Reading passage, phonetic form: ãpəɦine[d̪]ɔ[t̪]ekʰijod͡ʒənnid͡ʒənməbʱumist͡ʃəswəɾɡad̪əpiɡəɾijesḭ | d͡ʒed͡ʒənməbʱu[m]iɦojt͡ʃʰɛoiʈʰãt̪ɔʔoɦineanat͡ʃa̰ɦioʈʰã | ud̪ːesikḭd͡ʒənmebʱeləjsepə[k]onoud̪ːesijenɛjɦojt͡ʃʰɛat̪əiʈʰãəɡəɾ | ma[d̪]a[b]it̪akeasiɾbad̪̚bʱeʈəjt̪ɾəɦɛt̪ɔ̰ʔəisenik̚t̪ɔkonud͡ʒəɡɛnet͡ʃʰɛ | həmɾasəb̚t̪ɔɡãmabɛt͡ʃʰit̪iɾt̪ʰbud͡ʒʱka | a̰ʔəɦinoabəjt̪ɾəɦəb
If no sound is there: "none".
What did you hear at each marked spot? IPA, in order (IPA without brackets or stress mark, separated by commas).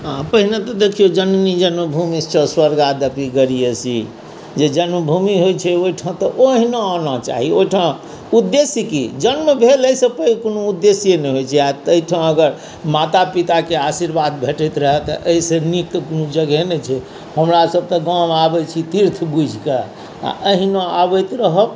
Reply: t̪, d̪, m, k, t̪, p